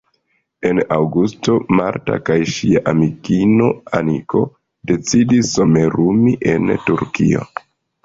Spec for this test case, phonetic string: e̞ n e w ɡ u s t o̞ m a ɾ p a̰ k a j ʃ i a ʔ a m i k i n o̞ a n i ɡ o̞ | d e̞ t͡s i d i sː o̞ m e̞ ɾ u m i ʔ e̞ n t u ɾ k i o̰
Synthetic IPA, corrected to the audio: e̞ n a w ɡ u s t o̞ m a ɾ t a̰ k a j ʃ i a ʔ a m i k i n o̞ a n i k o̞ | d e̞ t͡s i d i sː o̞ m e̞ ɾ u m i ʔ e̞ n t u ɾ k i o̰